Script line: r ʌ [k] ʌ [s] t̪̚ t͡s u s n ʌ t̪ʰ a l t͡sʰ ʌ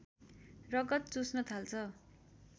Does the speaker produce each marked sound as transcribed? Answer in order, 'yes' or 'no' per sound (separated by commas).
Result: no, no